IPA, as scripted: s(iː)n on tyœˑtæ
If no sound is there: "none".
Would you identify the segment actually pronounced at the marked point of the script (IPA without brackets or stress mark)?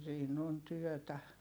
iː